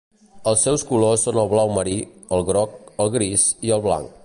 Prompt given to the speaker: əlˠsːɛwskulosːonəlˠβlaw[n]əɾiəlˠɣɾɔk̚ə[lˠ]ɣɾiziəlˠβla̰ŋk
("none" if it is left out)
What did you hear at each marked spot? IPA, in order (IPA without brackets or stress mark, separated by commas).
m, lˠ